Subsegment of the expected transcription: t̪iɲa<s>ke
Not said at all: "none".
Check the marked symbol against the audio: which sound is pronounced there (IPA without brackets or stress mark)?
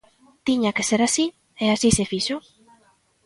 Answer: none